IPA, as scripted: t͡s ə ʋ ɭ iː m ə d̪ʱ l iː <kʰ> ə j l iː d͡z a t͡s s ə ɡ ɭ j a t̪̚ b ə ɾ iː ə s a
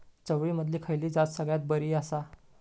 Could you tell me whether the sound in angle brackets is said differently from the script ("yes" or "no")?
no